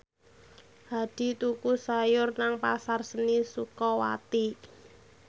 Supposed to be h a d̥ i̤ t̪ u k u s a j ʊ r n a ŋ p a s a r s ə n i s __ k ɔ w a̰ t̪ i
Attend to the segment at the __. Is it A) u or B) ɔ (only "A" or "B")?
A